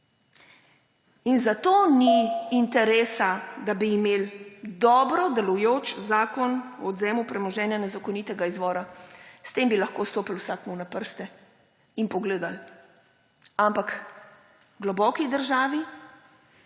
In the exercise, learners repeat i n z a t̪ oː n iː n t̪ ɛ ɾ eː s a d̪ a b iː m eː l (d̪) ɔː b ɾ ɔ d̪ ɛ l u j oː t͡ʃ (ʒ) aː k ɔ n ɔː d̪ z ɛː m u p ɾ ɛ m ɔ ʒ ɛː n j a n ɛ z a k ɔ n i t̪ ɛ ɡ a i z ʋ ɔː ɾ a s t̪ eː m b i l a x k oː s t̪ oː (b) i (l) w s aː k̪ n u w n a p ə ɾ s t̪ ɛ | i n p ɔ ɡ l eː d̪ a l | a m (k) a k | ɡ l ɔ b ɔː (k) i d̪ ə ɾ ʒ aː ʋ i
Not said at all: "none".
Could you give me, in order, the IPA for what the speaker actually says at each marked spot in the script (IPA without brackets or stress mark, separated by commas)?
d̪, z, p, l, p, k